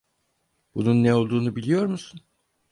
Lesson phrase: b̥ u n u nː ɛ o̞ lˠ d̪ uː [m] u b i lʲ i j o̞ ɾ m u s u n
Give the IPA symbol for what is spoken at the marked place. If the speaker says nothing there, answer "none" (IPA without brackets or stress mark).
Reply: n